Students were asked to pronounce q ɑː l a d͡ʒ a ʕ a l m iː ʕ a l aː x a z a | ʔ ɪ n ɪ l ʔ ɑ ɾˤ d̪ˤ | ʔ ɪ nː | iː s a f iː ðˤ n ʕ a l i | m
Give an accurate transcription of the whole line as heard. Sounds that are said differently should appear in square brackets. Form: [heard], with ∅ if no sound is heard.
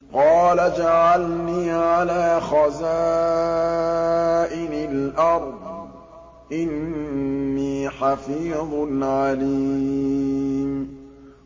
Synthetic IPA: q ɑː l a d͡ʒ a ʕ a l [n] iː ʕ a l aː x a z a | ʔ ɪ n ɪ l ʔ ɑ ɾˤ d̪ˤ | ʔ ɪ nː | iː [ħ] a f iː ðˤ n ʕ a l i | m